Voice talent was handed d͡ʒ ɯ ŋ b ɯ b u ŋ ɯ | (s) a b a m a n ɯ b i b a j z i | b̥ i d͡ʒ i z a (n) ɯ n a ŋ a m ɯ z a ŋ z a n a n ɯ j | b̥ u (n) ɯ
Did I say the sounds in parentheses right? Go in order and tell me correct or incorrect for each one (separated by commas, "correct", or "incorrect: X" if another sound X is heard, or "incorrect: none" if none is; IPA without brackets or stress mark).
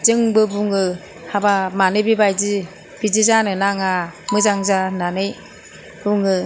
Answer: incorrect: h, correct, incorrect: ŋ